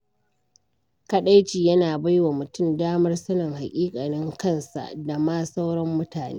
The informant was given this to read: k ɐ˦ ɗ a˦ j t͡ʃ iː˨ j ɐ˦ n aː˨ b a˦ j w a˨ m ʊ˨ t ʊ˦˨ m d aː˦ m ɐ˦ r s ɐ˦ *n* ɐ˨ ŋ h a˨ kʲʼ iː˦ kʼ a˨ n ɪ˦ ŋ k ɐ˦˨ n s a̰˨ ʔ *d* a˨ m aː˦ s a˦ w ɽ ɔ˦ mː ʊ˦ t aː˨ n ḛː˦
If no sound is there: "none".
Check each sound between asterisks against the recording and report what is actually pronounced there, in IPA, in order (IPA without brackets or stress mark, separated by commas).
n, d